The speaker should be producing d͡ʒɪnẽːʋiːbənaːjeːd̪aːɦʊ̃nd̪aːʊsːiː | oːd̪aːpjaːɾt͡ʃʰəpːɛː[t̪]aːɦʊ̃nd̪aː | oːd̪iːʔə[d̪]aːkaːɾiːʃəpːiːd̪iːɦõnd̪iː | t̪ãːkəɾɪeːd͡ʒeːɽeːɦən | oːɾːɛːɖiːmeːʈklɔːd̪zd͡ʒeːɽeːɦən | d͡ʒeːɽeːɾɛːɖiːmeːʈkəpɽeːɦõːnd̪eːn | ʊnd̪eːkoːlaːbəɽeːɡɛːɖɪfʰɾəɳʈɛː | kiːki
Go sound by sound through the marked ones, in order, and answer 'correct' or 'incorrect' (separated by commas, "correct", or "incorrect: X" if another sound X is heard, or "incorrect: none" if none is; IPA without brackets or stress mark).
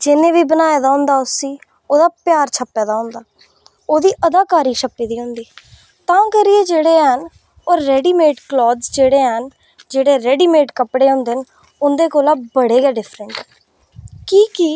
incorrect: d̪, correct